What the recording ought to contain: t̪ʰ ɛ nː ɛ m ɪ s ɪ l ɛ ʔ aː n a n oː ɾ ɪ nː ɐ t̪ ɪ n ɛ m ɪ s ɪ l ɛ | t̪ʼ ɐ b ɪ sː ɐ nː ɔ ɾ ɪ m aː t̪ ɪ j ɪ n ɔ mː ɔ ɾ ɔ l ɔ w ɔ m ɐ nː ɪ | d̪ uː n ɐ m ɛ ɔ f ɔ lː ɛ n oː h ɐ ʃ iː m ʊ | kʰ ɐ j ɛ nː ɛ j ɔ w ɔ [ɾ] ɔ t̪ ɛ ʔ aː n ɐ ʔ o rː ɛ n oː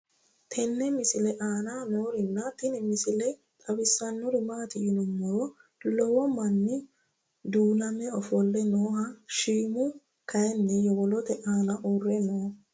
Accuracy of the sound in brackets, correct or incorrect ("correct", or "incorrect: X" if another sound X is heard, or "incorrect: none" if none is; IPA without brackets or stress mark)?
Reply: incorrect: l